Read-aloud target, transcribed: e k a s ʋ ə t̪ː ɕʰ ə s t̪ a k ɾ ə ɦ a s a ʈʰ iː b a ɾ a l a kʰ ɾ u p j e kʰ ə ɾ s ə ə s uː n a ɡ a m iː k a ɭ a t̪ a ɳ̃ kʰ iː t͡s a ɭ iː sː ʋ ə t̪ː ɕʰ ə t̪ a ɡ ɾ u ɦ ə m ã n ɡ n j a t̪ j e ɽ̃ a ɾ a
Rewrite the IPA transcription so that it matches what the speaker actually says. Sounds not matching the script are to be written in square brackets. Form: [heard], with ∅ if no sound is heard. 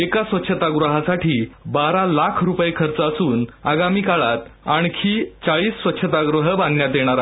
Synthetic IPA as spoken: e k a s ʋ ə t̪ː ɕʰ ə [∅] t̪ a [ɡ] ɾ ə ɦ a s a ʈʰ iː b a ɾ a l a kʰ ɾ u p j e kʰ ə ɾ [t͡s] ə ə s uː n a ɡ a m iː k a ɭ a t̪ a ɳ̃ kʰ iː t͡s a ɭ iː sː ʋ ə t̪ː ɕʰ ə t̪ a ɡ ɾ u ɦ ə [b] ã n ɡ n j a t̪ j e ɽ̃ a ɾ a

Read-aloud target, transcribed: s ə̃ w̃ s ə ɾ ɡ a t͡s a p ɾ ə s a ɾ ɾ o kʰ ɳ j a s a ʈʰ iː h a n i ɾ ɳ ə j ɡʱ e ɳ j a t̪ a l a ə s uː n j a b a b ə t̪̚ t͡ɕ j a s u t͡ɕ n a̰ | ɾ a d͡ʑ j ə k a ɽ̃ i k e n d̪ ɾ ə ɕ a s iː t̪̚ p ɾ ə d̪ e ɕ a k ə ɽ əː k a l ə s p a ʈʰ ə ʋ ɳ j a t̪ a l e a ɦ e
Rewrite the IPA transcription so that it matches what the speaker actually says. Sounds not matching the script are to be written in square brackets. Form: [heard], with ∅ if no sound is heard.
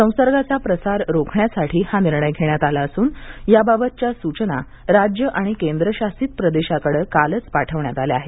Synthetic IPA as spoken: s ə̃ w̃ s ə ɾ ɡ a t͡s a p ɾ ə s a ɾ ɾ o kʰ ɳ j a s a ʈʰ iː h a n i ɾ ɳ ə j ɡʱ e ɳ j a t̪ a l a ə s uː n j a b a b ə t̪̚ t͡ɕ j a s u t͡ɕ n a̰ | ɾ a d͡ʑ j ə [ʔ] a ɽ̃ i k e n d̪ ɾ ə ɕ a s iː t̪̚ p ɾ ə d̪ e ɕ a k ə ɽ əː k a l ə [t͡s] p a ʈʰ ə ʋ ɳ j a t̪ a l e a ɦ e

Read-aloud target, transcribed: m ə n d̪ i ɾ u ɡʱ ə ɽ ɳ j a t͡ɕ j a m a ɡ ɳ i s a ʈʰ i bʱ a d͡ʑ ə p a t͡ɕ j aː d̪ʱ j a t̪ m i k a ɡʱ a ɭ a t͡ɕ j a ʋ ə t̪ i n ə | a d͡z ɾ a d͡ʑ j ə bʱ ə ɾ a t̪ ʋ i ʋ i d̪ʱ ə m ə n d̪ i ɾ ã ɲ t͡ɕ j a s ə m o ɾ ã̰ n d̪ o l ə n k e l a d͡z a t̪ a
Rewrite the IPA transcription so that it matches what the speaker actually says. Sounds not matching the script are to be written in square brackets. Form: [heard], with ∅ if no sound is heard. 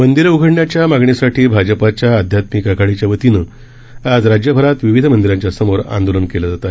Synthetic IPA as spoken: m ə n d̪ i ɾ u ɡʱ ə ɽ ɳ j a t͡ɕ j a m a ɡ ɳ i s a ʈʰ [iː] bʱ a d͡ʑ ə p a t͡ɕ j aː d̪ʱ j a t̪ m i k a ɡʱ a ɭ [i] t͡ɕ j a ʋ ə t̪ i n ə | a d͡z ɾ a d͡ʑ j ə bʱ ə ɾ a t̪ ʋ i ʋ i d̪ʱ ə m ə n d̪ i ɾ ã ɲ t͡ɕ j a s ə m o ɾ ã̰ n d̪ o l ə n k e l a d͡z a t̪ a

